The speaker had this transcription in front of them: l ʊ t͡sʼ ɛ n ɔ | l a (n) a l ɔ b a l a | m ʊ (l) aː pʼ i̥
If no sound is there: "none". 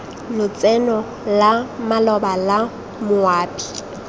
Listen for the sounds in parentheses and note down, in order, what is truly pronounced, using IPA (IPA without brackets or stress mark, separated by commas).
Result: m, none